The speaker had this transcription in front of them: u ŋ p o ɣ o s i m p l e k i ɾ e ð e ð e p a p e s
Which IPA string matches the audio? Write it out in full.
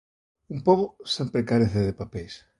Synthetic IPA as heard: u m p o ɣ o s e m p ɾ e k a ɾ e θ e ð e p a p e s